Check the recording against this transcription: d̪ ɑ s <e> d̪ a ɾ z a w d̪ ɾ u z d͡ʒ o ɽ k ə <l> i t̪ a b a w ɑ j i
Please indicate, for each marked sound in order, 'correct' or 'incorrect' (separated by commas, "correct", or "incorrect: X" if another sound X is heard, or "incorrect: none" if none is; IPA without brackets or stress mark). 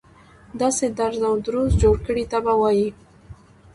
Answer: correct, incorrect: ɽ